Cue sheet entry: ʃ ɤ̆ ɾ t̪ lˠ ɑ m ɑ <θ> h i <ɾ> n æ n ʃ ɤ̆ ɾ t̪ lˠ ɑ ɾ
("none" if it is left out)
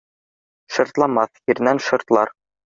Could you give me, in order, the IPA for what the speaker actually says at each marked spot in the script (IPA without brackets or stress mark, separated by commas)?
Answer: θ, ɾ